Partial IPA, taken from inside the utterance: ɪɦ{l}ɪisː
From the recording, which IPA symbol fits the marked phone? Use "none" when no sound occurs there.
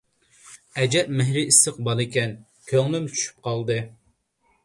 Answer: ɾ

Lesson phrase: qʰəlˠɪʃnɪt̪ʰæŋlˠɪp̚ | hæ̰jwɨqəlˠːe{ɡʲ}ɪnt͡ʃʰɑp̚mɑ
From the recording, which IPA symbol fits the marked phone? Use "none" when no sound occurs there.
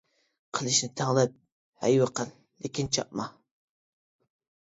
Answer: kʲ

